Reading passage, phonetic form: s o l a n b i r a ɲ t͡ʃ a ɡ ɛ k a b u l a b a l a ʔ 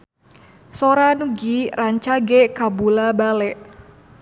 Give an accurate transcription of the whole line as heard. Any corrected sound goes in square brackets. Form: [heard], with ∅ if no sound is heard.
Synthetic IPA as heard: s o [ɾ] a n [ɡ] i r a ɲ t͡ʃ a ɡ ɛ k a b u l a b a l [ɛ] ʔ